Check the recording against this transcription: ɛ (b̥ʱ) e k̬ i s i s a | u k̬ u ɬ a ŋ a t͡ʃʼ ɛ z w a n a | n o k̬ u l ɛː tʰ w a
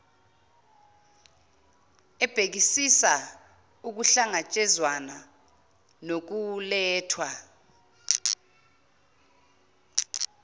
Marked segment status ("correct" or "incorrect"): correct